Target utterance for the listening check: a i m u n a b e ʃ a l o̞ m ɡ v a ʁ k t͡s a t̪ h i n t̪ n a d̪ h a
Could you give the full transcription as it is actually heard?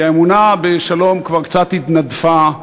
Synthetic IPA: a e m u n a b e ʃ a l o̞ m k v a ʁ k t͡s a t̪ h i t̪ n a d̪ f a